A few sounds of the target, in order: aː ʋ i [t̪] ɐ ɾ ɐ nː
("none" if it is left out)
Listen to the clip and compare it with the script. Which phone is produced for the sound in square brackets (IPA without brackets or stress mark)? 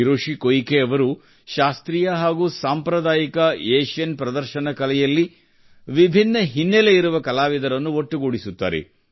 d̪